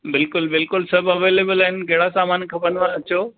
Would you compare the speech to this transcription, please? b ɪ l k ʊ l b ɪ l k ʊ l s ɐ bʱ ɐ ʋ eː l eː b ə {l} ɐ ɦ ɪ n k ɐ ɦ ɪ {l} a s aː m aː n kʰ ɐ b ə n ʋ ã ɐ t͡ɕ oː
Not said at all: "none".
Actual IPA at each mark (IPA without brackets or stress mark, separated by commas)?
l, ɽ